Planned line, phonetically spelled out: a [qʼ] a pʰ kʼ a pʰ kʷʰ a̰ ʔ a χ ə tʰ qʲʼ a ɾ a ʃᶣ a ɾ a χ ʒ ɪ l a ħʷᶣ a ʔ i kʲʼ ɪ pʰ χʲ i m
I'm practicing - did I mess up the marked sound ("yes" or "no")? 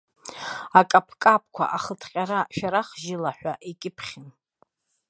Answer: yes